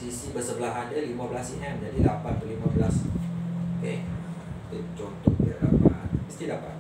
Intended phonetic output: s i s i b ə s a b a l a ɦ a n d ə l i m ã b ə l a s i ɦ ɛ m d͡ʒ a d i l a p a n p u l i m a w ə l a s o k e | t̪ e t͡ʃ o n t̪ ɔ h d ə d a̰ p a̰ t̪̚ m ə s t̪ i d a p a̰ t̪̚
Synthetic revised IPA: s i s i b ə s ə b ə l a ɦ a n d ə l i m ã b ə l a s i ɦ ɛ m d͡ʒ a d i l a p a n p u l i m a b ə l a s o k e | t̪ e t͡ʃ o n t̪ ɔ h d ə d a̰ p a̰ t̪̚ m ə s t̪ i d a p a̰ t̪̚